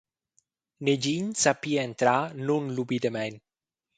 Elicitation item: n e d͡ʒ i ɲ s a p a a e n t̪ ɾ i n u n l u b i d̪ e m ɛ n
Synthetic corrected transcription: n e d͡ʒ i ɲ s a p i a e n t̪ ɾ a n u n l u b i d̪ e m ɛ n